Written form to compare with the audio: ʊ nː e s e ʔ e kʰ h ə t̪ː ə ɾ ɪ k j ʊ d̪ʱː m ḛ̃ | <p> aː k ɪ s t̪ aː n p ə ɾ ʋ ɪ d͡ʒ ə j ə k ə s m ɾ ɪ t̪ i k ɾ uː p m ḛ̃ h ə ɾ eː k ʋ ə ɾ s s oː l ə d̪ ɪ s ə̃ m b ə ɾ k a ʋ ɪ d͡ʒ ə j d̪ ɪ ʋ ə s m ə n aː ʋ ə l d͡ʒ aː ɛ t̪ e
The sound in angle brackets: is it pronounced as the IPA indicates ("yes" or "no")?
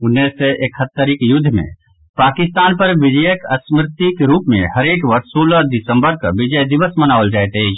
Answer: yes